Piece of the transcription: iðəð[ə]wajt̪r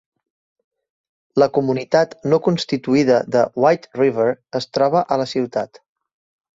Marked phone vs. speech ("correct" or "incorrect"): correct